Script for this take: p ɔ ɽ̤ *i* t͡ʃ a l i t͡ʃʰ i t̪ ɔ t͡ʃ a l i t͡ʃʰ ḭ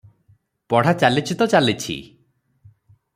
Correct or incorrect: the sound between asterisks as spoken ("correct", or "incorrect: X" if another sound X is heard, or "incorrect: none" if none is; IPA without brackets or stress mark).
incorrect: a